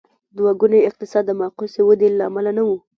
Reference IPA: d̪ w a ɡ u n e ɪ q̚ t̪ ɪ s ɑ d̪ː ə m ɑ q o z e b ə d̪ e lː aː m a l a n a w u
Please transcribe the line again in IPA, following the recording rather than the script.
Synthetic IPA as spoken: d̪ w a ɡ u n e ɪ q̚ t̪ ɪ s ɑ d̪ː ə m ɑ q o s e w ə d̪ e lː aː m a l a n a w u